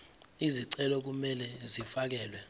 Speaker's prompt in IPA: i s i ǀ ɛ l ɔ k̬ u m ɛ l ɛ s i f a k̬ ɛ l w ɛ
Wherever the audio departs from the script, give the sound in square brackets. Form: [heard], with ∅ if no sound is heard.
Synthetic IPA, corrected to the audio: i [z] i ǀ ɛ l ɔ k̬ u m ɛ l ɛ [z] i f a k̬ [ɛː] l w ɛ